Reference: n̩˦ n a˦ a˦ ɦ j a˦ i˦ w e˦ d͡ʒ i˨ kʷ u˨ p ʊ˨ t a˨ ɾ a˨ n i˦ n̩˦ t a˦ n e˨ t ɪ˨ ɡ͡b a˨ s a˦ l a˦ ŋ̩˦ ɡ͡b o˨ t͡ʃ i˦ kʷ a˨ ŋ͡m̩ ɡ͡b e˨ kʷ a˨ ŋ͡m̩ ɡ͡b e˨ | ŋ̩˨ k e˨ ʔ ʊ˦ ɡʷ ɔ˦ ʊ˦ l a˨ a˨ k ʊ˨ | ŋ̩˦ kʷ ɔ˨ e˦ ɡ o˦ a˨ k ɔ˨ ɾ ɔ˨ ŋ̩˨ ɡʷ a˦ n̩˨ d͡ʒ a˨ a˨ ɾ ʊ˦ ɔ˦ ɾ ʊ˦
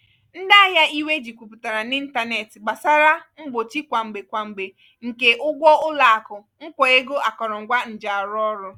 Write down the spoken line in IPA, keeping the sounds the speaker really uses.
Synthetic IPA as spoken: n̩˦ d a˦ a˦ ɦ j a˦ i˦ w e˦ d͡ʒ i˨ kʷ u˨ p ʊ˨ t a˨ ɾ a˨ n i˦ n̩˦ t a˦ n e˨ t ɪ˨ ɡ͡b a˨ s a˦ ɾ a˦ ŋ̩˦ ɡ͡b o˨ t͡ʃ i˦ kʷ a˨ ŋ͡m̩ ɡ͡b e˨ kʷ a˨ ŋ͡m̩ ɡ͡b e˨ | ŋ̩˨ k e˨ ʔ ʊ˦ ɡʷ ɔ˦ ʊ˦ l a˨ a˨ k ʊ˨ | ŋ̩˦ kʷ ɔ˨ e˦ ɡ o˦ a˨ k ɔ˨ ɾ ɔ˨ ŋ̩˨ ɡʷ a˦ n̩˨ d͡ʒ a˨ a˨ ɾ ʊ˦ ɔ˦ ɾ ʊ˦